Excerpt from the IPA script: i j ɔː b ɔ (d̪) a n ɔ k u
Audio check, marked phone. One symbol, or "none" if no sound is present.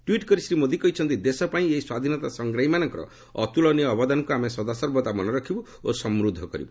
d̪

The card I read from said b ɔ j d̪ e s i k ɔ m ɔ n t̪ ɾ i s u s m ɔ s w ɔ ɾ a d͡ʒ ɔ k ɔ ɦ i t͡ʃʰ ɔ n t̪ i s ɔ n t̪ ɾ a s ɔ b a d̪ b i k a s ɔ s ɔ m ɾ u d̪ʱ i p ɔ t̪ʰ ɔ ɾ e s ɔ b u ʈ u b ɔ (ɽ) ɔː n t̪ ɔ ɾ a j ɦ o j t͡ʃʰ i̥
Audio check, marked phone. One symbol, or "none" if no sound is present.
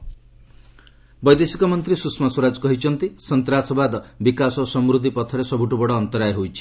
ɽ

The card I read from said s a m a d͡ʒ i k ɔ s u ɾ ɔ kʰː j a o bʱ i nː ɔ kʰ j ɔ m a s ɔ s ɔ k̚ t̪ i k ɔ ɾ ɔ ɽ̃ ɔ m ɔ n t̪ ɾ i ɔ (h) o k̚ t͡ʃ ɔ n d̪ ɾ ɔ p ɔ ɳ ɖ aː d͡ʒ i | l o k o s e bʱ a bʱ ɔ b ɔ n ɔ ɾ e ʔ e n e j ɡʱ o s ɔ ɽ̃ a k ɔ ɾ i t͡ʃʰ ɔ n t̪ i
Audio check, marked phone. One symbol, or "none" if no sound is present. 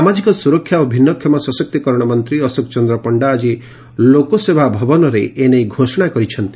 s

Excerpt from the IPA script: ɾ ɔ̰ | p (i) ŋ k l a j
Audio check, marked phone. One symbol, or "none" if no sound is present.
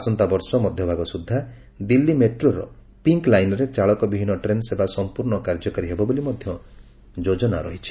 i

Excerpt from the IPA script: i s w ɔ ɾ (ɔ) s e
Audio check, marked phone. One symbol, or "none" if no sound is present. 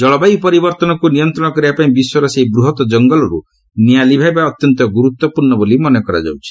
ɔ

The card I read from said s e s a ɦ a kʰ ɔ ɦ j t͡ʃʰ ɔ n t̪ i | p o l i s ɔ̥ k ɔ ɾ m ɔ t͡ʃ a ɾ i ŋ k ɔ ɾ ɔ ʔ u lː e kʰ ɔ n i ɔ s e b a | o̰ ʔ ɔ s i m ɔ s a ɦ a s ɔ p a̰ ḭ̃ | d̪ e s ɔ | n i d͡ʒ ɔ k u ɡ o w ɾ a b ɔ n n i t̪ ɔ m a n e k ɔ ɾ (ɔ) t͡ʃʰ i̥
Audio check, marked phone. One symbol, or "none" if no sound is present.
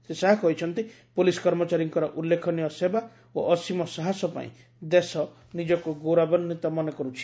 u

